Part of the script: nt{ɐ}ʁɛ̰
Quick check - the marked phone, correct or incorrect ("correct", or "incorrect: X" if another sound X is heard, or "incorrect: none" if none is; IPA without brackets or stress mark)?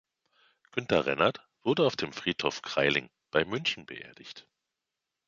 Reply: correct